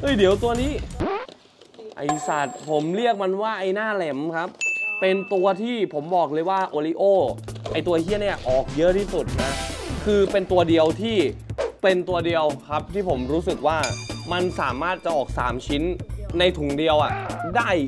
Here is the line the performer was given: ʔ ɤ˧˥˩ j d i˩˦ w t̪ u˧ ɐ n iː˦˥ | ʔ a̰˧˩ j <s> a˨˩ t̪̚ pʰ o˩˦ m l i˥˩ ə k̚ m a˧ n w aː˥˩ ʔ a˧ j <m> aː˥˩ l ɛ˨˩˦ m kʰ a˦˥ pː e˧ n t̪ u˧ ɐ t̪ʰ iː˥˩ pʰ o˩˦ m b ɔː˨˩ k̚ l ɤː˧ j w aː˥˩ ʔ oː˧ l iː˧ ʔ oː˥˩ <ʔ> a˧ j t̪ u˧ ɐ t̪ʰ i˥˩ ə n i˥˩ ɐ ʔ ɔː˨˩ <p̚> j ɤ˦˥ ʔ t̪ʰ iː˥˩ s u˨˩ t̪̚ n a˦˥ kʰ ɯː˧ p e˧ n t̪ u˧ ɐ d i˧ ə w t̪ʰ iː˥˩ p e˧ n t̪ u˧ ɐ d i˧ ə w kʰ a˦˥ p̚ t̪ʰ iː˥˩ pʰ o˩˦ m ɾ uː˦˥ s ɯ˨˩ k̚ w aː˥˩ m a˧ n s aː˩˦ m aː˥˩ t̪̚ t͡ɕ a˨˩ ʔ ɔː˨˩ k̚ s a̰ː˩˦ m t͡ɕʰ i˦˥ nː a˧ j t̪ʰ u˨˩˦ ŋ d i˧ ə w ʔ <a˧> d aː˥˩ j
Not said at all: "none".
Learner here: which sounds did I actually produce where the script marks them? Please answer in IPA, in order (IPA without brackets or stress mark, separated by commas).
s, n, ʔ, k̚, a˨˩